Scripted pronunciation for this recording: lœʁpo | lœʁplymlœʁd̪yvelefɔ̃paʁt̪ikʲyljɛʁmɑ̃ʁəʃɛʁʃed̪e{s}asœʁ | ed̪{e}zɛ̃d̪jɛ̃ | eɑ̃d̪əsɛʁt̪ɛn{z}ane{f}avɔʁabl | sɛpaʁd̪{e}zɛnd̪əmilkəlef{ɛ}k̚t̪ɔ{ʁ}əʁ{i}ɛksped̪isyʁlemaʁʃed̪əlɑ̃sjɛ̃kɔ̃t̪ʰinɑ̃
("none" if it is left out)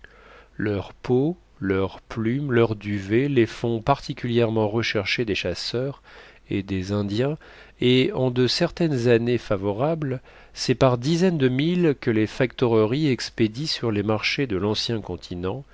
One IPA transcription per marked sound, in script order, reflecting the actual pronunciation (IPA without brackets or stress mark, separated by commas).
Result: ʃ, e, z, f, i, a, ʁ, i